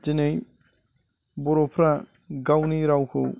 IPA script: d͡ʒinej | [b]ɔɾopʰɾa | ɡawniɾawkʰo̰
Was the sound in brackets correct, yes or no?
yes